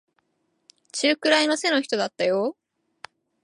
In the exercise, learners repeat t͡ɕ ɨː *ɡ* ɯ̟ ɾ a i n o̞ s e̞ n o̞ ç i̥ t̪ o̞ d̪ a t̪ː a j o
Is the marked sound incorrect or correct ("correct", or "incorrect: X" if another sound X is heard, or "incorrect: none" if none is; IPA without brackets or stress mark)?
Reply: incorrect: k